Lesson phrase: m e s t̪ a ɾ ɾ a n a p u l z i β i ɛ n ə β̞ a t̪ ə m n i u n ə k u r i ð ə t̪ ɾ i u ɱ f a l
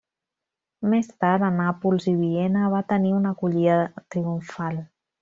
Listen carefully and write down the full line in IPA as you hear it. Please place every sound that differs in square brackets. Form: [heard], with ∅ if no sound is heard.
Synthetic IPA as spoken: m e s t̪ a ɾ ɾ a n a p u l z i β i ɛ n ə β̞ a t̪ ə [∅] n i u n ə k u [ʎ] i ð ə t̪ ɾ i u ɱ f a l